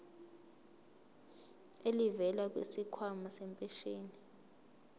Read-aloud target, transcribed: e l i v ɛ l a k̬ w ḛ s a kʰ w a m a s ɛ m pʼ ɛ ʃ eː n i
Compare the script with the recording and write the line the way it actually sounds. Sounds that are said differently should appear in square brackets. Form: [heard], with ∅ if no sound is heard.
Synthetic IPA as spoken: e l i v ɛ l a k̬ w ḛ s [i] kʰ w a m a s ɛ m pʼ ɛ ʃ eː n i